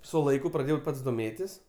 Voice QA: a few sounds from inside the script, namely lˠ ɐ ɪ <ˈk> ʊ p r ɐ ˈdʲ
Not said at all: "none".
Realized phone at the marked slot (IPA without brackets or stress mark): k